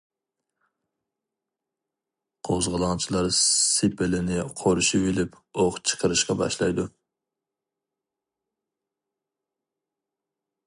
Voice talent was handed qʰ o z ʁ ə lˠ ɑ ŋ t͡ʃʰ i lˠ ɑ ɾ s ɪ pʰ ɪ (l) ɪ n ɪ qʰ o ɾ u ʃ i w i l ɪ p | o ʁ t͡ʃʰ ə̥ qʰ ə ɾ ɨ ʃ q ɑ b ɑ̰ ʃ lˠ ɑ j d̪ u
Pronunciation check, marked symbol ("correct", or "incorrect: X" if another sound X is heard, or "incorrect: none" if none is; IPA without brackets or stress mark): correct